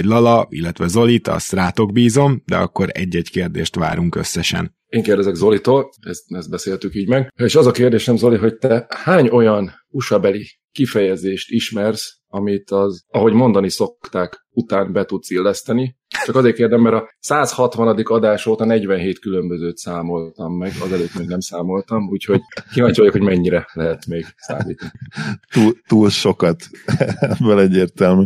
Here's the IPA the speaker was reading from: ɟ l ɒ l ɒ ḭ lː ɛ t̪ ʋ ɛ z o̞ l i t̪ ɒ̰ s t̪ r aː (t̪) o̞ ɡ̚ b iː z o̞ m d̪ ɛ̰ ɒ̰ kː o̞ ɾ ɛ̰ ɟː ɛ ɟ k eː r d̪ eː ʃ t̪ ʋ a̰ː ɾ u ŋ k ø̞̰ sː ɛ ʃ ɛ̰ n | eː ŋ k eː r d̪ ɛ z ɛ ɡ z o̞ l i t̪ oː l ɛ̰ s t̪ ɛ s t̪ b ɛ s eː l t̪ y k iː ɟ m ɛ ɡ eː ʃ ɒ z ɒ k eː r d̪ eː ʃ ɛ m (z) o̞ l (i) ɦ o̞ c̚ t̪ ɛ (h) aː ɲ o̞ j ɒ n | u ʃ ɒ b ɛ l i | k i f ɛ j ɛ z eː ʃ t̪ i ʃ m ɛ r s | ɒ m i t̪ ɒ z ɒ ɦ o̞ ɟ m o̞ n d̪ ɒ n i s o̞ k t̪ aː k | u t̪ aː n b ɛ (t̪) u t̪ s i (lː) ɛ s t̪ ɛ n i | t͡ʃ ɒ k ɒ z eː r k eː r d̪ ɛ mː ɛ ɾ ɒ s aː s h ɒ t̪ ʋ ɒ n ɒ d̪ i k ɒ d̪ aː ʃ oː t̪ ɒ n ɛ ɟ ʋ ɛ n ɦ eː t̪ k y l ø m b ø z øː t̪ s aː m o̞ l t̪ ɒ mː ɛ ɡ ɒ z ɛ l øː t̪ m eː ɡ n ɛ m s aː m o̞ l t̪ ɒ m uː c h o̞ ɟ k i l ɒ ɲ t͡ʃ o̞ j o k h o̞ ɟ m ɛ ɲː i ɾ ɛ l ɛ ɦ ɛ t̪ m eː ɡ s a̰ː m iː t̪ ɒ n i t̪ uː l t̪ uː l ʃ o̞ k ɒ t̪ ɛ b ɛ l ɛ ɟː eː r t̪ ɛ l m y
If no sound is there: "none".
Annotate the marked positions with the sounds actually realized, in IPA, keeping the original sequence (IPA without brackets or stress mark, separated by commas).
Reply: t̪, z, i, h, t̪, lː